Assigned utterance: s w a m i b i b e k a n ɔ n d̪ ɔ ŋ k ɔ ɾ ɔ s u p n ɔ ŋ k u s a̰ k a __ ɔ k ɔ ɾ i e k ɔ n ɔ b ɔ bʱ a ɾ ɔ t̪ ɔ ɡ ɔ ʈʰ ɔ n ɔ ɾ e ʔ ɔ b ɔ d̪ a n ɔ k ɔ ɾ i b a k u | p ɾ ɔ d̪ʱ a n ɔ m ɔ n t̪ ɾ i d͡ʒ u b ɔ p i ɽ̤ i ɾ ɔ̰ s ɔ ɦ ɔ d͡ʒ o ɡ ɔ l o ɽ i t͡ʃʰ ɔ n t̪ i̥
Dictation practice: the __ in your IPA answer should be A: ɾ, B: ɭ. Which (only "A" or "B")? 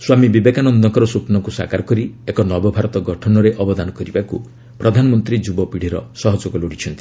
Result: A